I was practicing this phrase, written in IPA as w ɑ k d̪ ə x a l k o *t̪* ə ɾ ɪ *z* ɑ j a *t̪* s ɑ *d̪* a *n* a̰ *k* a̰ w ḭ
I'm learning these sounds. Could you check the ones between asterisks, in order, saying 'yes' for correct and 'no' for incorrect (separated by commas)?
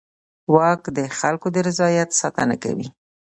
no, yes, yes, no, yes, yes